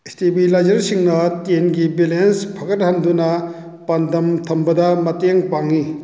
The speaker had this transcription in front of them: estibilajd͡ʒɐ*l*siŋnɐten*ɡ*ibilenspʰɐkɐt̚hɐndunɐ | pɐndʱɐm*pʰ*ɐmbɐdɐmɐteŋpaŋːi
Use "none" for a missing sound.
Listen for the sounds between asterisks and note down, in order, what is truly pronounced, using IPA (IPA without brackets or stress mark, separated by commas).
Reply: ɾ, ɡ, tʰ